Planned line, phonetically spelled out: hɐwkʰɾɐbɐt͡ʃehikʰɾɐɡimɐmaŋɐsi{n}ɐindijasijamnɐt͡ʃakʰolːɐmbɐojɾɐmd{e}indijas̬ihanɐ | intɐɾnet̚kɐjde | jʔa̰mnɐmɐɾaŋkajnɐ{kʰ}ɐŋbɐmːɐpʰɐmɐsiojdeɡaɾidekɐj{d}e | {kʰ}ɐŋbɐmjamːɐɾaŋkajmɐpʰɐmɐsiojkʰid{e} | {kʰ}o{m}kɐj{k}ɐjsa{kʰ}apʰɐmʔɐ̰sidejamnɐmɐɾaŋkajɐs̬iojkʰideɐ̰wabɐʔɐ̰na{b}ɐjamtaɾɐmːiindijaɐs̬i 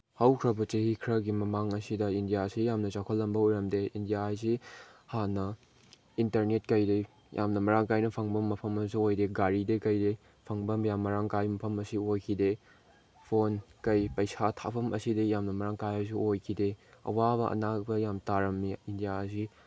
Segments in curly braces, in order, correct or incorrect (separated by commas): incorrect, correct, incorrect, correct, incorrect, correct, incorrect, incorrect, incorrect, incorrect, correct